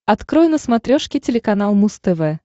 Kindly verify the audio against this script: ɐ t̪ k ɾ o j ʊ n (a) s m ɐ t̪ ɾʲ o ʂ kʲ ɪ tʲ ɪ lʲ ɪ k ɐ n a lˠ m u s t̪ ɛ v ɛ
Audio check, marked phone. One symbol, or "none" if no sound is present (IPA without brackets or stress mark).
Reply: ə